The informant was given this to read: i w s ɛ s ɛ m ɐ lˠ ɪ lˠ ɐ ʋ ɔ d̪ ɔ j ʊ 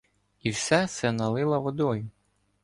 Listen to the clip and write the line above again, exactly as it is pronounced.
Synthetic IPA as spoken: i w s ɛ s ɛ n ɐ lˠ ɪ lˠ ɐ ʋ ɔ d̪ ɔ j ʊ